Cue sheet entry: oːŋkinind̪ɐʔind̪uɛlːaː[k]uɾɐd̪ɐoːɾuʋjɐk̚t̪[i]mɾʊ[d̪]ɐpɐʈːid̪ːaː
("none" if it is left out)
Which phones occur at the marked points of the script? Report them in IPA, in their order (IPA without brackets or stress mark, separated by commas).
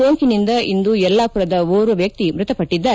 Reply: p, i, t̪